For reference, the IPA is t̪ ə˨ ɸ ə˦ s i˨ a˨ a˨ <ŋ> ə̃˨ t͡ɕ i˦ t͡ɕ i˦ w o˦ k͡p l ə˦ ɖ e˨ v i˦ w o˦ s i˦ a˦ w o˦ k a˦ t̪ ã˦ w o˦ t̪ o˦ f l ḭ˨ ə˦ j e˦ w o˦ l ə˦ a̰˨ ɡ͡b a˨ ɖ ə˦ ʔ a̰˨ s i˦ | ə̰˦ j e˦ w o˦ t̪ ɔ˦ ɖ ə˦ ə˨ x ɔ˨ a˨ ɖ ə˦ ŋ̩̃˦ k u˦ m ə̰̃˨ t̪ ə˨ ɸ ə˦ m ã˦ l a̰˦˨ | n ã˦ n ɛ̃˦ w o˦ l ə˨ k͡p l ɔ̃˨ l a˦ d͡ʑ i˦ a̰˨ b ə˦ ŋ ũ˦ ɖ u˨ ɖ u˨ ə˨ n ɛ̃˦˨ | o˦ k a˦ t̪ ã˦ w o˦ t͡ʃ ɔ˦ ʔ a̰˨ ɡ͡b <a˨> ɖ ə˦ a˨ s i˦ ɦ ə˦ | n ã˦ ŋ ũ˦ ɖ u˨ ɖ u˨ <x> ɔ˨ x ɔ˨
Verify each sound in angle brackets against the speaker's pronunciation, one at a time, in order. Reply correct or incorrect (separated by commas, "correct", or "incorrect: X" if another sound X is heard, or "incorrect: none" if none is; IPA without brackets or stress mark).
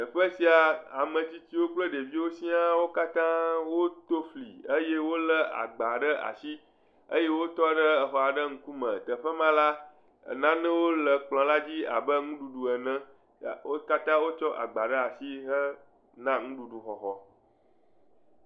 incorrect: m, correct, correct